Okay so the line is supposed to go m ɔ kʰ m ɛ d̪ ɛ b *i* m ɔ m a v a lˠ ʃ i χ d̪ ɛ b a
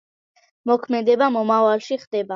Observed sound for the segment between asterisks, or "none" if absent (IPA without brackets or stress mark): a